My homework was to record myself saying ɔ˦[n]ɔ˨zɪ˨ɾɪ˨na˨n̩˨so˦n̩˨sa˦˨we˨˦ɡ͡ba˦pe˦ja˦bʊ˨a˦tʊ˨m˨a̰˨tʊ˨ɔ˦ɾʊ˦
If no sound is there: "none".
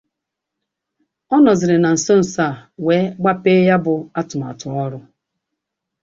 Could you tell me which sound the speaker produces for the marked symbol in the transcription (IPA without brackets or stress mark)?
n